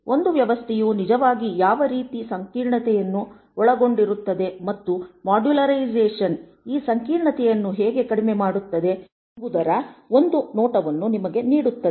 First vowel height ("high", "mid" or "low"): mid